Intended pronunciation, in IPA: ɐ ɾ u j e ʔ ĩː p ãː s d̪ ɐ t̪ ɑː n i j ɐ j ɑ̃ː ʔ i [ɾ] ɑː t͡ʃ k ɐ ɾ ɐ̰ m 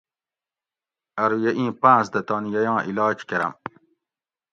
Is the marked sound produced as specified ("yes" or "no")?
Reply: no